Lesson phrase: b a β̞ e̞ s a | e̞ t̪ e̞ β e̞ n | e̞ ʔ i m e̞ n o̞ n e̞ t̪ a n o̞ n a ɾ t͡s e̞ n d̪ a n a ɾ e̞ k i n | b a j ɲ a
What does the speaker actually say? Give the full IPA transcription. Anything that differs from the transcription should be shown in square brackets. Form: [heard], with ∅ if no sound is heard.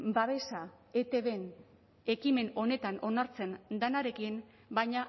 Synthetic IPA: b a β̞ e̞ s a | e̞ t̪ e̞ β e̞ n | e̞ [k] i m e̞ n o̞ n e̞ t̪ a n o̞ n a ɾ t͡s e̞ n d̪ a n a ɾ e̞ k i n | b a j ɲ a